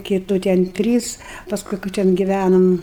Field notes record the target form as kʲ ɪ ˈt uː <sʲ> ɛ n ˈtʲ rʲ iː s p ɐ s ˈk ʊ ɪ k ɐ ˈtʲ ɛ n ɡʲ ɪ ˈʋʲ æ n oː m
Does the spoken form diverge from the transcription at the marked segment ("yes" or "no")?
yes